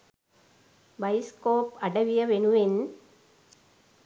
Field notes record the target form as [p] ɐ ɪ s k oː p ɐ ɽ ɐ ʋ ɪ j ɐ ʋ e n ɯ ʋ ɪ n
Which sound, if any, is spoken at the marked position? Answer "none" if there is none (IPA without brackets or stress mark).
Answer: b